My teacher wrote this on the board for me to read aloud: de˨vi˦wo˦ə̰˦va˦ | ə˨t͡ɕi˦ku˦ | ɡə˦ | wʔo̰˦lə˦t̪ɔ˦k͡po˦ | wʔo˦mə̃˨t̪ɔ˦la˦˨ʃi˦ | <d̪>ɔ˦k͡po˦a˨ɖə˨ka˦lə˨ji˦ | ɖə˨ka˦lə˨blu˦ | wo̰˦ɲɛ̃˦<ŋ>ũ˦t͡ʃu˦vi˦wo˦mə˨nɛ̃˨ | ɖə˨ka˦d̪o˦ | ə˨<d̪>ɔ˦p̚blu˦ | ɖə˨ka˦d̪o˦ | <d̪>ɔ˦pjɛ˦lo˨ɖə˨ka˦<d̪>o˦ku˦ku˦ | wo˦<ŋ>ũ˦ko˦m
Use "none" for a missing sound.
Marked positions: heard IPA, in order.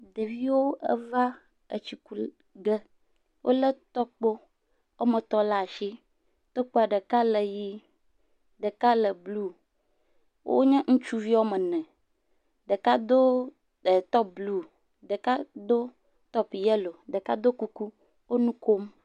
t̪, ŋ, t̪, t̪, d̪, n

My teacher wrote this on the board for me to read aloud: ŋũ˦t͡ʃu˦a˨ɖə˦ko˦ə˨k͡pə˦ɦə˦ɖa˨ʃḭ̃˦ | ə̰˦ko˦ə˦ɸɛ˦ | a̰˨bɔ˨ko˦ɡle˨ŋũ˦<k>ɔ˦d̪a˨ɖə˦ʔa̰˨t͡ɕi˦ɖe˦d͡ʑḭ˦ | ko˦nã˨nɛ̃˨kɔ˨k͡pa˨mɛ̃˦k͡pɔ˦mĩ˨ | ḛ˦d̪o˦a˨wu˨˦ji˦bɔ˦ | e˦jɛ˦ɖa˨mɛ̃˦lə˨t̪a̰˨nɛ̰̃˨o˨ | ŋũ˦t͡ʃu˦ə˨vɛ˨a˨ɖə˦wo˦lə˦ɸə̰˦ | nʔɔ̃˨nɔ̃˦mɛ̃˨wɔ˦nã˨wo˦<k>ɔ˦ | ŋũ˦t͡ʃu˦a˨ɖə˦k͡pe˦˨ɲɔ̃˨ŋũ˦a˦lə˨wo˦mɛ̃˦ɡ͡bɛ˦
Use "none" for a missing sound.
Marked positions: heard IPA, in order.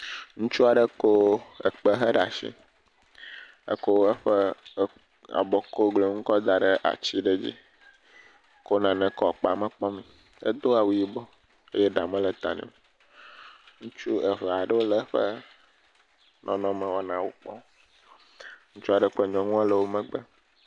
k, k͡p

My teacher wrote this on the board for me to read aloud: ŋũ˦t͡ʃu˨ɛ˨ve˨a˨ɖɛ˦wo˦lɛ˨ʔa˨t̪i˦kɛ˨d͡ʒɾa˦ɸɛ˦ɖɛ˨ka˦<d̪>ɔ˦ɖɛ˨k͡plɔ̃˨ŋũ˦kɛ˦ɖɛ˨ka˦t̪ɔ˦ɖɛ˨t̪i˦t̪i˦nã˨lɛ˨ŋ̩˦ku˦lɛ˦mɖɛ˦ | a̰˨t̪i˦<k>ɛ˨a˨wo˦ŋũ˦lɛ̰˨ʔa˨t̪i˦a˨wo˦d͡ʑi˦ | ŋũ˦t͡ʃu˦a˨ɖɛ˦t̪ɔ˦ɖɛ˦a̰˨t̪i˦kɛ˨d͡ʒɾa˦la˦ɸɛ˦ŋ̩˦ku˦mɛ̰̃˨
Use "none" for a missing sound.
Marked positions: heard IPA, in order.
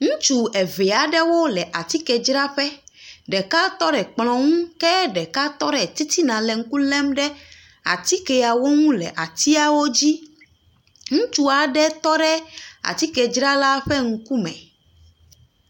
t̪, k

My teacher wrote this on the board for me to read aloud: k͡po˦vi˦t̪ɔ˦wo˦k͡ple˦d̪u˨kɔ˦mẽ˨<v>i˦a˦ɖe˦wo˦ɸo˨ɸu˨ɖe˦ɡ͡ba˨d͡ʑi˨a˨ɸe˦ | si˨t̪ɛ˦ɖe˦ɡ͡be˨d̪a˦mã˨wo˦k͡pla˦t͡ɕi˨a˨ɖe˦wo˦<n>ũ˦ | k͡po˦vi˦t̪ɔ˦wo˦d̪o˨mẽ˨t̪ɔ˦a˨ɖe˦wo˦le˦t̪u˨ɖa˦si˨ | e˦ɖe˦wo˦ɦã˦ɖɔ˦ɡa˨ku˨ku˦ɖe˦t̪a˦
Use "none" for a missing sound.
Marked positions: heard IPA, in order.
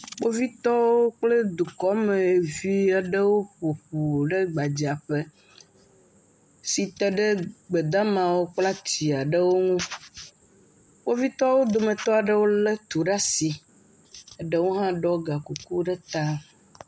v, ŋ

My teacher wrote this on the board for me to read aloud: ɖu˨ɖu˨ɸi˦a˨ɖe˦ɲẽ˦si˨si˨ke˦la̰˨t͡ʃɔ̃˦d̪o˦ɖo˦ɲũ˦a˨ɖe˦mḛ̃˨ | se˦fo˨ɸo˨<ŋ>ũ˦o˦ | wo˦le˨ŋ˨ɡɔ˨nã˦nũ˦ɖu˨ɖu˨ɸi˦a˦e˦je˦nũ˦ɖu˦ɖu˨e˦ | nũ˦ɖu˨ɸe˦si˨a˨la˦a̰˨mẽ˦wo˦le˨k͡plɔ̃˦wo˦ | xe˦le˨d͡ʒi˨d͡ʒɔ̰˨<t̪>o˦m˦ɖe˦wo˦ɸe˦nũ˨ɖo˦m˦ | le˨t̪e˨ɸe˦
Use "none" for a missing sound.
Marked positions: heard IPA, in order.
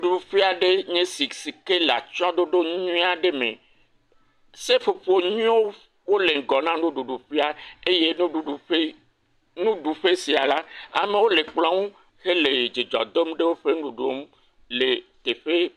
ɲ, d̪

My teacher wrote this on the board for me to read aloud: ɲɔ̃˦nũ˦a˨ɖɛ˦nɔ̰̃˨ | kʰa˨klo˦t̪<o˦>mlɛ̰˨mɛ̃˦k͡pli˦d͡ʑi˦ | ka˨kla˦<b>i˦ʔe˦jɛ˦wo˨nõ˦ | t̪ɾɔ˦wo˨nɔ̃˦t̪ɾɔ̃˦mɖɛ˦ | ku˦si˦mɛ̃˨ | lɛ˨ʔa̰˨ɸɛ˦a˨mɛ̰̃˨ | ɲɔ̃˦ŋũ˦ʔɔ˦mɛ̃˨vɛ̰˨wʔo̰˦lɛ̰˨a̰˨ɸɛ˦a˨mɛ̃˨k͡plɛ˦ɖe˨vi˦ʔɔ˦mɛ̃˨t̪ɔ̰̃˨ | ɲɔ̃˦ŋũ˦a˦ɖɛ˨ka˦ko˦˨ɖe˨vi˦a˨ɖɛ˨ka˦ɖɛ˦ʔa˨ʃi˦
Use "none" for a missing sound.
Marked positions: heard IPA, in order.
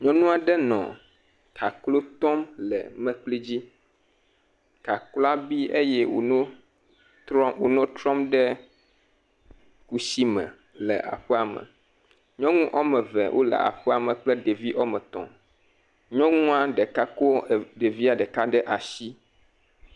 ɔ˦, b

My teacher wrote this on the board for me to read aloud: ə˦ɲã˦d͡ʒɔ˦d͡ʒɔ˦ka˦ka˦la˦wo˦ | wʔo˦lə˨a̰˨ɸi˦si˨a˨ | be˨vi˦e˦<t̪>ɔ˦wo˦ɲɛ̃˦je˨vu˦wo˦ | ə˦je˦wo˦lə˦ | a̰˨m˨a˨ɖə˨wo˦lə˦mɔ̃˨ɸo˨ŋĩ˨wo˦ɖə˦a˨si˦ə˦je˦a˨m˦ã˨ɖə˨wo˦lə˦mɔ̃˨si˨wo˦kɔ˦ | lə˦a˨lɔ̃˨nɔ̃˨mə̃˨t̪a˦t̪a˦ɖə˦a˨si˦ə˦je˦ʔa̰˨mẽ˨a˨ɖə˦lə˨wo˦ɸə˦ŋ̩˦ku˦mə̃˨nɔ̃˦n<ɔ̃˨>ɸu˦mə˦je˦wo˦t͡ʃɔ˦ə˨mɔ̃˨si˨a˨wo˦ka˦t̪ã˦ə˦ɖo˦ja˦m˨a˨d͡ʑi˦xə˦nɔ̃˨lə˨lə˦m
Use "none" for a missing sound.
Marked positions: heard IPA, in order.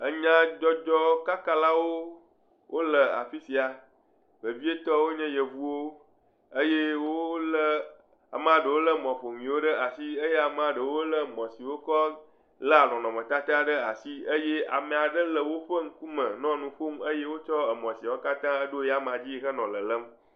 t̪, ũ˨

